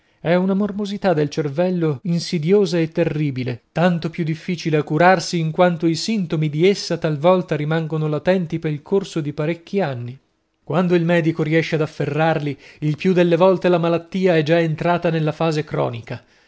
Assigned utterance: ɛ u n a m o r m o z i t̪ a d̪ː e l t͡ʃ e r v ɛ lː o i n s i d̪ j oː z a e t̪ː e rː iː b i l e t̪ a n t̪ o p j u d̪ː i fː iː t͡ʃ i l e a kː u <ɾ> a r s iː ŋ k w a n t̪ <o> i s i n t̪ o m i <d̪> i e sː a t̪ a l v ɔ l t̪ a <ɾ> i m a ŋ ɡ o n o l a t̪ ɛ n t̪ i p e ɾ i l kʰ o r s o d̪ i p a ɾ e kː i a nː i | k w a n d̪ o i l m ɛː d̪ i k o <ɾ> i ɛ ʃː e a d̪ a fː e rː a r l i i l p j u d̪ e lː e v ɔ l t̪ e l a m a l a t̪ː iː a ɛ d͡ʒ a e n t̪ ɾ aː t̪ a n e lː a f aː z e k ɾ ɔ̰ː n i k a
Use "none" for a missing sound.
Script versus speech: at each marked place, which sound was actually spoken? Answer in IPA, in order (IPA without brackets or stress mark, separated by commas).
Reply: ɾ, o, d̪, ɾ, ɾ